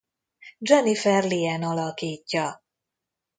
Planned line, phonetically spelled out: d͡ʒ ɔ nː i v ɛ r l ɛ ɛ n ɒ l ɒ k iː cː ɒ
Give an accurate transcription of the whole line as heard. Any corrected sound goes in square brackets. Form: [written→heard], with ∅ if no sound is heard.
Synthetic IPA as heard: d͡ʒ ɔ [nː→n] i [v→f] ɛ r l [ɛ→i] ɛ n ɒ l ɒ k iː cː ɒ